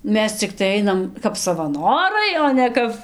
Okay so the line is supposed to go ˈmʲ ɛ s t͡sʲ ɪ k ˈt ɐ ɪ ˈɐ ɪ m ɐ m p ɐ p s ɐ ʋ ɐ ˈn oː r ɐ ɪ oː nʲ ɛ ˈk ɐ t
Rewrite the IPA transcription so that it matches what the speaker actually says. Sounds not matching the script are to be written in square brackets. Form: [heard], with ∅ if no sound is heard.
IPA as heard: ˈmʲ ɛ s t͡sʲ ɪ k ˈt ɐ ɪ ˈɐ ɪ [n] ɐ m [k] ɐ p s ɐ ʋ ɐ ˈn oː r ɐ ɪ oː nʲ ɛ ˈk ɐ [p]